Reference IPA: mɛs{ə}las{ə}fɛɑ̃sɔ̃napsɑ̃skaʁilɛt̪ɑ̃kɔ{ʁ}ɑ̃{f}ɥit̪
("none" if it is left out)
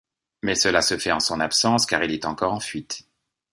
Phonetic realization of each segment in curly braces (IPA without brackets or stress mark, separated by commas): ə, ə, ʁ, f